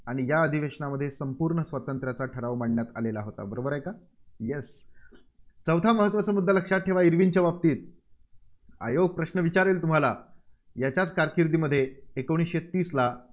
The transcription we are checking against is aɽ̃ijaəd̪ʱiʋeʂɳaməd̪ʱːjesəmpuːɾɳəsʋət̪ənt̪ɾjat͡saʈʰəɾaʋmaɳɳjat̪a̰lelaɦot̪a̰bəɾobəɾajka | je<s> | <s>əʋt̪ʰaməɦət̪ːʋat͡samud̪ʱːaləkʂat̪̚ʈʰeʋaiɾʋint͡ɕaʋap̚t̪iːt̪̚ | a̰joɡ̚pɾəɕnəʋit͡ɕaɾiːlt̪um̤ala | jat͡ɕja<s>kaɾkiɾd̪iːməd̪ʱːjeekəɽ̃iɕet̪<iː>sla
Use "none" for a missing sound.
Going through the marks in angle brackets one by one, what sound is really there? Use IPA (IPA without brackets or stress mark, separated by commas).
s, t͡s, t͡s, iː